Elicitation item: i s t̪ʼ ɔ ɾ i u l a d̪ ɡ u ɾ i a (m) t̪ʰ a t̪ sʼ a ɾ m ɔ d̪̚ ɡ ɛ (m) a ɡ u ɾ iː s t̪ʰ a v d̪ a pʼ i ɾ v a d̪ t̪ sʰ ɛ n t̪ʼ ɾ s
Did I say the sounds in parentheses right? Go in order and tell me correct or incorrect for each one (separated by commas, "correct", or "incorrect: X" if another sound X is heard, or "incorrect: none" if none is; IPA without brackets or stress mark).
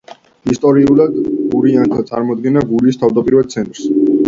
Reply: incorrect: n, incorrect: n